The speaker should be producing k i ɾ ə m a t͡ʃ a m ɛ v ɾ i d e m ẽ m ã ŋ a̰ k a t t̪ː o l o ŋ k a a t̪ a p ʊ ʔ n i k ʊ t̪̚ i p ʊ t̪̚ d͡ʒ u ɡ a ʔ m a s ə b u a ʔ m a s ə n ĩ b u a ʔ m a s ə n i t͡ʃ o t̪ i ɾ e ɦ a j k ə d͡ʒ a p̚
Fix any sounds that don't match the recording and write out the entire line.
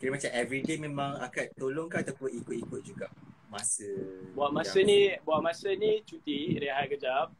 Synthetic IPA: k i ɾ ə m a t͡ʃ a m ɛ v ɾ i d e m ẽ m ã ŋ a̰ k a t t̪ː o l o ŋ k a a t̪ a p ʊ n i k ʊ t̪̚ i k ʊ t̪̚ d͡ʒ u ɡ a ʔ m a s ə b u a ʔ m a s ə n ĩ b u a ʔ m a s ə n i t͡ʃ u t̪ i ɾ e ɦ a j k ə d͡ʒ a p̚